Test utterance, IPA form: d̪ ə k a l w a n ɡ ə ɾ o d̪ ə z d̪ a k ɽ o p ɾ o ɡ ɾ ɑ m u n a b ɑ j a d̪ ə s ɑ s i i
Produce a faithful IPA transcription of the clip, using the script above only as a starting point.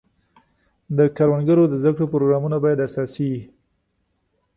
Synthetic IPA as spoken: d̪ ə k a ɾ w a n ɡ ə ɾ o d̪ ə z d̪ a k ɽ o p ɾ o ɡ ɾ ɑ m u n a b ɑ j a d̪ a s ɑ s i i

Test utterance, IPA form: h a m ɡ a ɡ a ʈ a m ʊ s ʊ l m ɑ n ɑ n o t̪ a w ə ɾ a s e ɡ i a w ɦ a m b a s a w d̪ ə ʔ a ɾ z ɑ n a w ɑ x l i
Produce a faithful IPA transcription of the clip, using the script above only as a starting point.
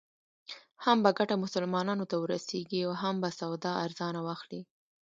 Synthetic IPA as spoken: h a m b a ɡ a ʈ a m ʊ s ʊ l m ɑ n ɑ n o t̪ a w ə ɾ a s e ɡ i a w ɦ a m b a s a w d̪ ɑ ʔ a ɾ z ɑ n a w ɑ x l i

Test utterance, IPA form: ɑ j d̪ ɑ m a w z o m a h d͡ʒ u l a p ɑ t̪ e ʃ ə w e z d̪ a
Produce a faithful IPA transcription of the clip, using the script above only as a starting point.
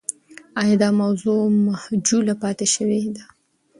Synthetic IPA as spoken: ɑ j d̪ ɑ m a w z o m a h d͡ʒ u l a p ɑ t̪ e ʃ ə w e d̪ a

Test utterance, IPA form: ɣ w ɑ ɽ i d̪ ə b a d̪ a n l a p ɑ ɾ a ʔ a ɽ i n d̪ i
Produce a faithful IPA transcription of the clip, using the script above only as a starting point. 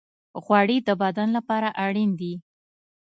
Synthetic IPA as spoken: ɣ w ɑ ɽ i d̪ ə b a d̪ a n l a p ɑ ɾ a ʔ a ɽ i n d̪ i

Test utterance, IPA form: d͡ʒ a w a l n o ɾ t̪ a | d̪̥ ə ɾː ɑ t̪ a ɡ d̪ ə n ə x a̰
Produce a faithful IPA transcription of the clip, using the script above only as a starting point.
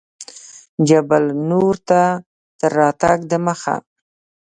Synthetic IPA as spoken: d͡ʒ a b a l n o ɾ t̪ a | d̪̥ ə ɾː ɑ t̪ a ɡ d̪ ə m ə x a̰

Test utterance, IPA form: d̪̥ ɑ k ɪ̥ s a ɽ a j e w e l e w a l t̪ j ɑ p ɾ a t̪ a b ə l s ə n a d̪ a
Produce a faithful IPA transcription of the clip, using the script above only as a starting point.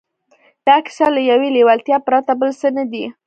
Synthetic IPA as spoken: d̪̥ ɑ k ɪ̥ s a l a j a w e l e w a l t̪ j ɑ p ɾ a t̪ a b ə l s ə n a d̪ i

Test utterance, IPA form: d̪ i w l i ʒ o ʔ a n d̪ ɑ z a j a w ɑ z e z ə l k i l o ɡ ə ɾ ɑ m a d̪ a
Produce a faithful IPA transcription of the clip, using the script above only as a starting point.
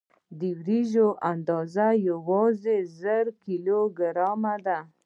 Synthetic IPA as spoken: d̪ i w ɾ i ʒ o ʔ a n d̪ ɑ z a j a w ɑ z e z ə ɾ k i l o ɡ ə ɾ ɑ m a d̪ a

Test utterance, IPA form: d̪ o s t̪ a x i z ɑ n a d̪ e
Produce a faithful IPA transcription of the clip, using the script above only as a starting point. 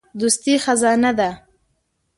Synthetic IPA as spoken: d̪ u s t̪ i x a z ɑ n a d̪ a

